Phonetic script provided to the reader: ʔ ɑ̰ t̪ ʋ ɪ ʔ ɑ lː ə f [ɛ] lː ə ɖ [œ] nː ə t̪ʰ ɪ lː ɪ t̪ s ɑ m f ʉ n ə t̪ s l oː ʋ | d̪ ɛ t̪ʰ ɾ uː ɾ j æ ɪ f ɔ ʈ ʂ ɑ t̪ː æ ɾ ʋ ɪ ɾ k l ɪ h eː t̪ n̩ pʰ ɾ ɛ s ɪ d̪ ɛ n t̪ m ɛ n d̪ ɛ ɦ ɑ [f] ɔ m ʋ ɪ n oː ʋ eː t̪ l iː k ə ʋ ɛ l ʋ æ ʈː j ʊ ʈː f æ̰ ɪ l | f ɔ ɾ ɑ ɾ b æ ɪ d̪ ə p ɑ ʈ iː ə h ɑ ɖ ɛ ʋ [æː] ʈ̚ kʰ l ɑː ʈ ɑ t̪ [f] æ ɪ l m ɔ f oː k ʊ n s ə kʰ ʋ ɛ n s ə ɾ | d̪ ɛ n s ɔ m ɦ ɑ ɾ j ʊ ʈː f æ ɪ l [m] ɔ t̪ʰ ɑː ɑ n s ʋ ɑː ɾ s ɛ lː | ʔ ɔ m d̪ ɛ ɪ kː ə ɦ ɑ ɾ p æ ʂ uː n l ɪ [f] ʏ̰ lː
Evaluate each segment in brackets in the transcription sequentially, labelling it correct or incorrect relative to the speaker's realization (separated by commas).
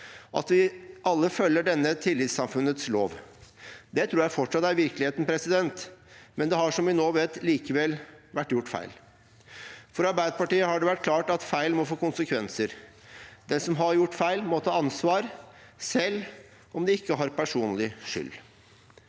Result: incorrect, incorrect, incorrect, incorrect, correct, correct, incorrect